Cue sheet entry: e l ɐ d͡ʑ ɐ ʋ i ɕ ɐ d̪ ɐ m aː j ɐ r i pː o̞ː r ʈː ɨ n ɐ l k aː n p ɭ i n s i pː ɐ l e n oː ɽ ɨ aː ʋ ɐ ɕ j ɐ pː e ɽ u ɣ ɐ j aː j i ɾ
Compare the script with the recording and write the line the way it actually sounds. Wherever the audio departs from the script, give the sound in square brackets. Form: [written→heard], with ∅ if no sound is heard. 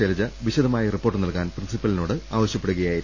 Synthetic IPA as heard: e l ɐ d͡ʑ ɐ ʋ i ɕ ɐ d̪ ɐ m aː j ɐ r i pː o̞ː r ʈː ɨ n ɐ l k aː n p [ɭ→r] i n s i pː ɐ l [e→i] n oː ɽ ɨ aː ʋ ɐ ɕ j ɐ pː e ɽ u ɣ ɐ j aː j i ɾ